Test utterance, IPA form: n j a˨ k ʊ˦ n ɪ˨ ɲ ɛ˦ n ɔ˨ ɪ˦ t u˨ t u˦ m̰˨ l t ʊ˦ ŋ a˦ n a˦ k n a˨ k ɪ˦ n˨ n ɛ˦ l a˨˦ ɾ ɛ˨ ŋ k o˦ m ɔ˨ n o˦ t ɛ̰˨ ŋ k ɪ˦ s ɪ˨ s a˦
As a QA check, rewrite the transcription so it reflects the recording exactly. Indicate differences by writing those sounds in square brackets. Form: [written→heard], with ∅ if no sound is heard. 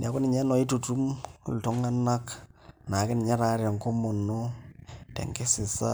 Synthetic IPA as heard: n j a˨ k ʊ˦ n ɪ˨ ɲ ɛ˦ n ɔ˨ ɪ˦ t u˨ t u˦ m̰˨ l t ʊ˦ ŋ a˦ n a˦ k n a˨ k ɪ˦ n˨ [n→ɲ] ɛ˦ [l→ɾ] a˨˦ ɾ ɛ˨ ŋ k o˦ m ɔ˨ n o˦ t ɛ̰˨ ŋ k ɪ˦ s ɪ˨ s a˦